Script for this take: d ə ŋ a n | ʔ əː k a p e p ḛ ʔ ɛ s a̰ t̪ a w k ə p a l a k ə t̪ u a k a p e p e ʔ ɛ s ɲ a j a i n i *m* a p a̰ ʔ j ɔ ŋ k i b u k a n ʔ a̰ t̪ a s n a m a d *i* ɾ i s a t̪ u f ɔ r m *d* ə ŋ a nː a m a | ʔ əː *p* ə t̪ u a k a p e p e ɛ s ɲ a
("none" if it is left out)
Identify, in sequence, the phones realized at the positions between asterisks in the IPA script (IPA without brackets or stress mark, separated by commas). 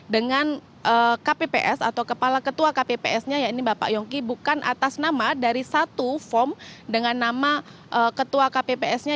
b, a, d, k